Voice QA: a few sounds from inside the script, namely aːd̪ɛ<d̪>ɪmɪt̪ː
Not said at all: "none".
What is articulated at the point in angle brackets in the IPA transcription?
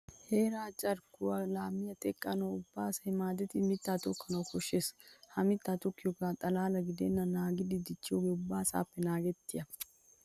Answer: t̪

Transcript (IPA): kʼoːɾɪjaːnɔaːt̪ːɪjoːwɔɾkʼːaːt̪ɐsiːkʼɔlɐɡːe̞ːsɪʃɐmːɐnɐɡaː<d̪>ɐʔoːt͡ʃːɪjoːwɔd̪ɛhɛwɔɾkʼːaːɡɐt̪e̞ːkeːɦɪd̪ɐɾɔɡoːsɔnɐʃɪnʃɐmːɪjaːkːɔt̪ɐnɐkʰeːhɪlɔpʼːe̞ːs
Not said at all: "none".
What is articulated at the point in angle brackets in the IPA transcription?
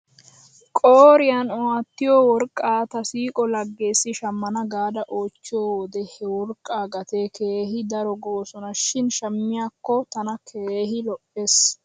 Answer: d̪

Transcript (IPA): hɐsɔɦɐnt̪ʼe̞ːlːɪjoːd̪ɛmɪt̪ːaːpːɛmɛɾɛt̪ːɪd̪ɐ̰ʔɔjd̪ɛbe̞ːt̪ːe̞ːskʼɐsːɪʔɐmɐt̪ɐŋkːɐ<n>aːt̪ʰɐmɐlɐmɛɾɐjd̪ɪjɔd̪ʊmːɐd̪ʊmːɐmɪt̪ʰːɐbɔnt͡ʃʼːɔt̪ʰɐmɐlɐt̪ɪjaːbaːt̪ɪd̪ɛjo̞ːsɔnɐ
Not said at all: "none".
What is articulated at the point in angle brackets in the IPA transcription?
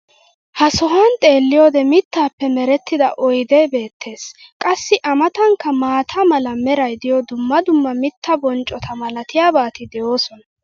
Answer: m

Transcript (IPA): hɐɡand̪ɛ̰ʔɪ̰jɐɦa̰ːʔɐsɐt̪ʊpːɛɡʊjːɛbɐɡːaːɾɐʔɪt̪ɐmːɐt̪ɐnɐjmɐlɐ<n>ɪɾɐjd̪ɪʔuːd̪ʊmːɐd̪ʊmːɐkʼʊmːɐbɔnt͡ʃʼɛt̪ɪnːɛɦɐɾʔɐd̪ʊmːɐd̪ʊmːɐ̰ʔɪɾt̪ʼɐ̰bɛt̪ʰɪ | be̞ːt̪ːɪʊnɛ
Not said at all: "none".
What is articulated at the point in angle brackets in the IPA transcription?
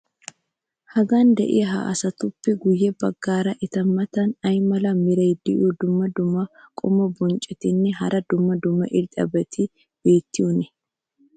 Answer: m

